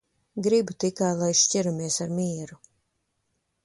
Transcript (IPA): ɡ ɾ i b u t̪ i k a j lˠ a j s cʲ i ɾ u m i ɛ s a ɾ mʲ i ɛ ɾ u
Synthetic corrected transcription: ɡ ɾ i b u t̪ i k a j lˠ a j ʃ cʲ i ɾ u m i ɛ s a ɾ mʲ i ɛ ɾ u